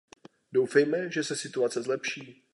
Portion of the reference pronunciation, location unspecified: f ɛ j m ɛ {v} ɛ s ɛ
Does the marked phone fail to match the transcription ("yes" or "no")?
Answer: yes